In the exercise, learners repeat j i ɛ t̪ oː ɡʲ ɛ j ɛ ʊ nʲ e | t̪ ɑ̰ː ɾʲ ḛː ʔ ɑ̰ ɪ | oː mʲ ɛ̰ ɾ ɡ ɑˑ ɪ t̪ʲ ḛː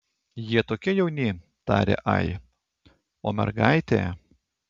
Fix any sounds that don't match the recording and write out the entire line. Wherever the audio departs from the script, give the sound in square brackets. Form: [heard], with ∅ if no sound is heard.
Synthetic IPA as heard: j i ɛ t̪ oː [kʲ] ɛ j ɛ ʊ nʲ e | t̪ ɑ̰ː ɾʲ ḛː ʔ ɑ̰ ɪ | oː mʲ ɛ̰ ɾ ɡ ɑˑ ɪ t̪ʲ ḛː